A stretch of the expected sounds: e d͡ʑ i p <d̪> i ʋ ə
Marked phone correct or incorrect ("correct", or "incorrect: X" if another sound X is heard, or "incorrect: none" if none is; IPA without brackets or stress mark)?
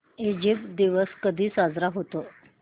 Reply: correct